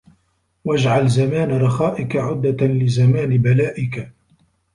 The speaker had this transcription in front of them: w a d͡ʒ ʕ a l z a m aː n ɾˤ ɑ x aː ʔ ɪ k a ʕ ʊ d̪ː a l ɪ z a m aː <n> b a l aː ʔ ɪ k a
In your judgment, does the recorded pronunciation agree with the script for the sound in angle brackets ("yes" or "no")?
yes